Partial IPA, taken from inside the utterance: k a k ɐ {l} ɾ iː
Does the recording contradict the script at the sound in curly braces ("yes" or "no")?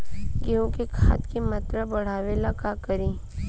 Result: yes